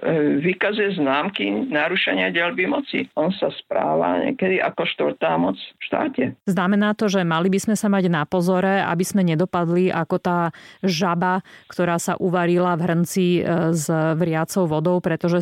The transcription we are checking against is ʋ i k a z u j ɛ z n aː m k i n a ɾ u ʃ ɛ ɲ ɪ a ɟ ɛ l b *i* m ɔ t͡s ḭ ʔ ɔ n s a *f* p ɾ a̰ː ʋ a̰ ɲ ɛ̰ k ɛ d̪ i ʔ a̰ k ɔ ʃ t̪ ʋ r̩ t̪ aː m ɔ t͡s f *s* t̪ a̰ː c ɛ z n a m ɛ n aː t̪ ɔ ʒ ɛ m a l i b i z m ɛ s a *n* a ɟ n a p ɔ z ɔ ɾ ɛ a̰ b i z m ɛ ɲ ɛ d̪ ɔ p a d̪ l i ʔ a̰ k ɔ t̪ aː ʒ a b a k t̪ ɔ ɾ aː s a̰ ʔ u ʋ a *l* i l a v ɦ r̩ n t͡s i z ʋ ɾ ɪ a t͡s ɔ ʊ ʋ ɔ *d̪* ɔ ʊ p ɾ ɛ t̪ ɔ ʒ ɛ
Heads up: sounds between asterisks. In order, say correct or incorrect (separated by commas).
correct, incorrect, incorrect, incorrect, incorrect, correct